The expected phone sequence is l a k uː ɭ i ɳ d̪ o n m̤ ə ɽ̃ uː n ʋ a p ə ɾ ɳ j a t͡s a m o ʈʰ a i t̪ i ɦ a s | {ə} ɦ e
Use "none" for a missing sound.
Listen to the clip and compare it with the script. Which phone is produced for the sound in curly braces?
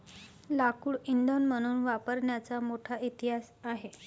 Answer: a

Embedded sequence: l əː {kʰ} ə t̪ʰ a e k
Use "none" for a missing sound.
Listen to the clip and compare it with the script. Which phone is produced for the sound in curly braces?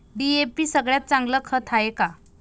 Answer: kʰ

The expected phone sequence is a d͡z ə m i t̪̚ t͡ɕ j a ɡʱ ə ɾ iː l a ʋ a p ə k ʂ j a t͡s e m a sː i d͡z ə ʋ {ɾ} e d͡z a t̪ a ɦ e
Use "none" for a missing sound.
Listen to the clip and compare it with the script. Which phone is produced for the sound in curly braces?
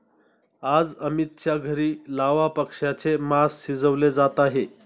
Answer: l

